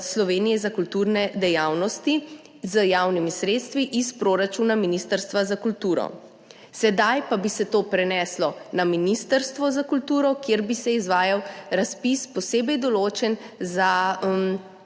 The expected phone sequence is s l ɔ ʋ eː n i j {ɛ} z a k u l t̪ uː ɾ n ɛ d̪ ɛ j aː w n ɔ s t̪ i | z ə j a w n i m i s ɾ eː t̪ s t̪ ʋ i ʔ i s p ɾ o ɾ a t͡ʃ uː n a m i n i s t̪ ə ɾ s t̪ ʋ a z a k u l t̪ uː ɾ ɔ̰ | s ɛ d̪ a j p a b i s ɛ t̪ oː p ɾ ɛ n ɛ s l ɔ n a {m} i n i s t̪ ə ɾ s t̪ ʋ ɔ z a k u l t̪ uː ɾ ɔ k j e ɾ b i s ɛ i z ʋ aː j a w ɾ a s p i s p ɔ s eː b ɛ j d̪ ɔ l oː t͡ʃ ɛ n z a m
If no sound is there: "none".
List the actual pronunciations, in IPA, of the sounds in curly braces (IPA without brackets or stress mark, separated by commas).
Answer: ɛ, m